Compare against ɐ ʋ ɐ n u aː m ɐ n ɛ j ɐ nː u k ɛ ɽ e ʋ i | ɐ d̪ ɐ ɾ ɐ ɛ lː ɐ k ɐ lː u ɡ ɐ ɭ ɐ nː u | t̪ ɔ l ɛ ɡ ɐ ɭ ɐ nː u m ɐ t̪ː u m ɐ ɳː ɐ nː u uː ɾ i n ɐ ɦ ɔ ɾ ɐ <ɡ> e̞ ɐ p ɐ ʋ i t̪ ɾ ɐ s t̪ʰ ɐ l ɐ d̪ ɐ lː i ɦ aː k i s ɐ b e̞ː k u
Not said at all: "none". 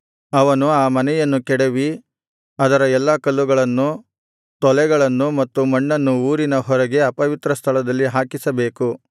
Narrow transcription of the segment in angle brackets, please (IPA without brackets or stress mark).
ɡ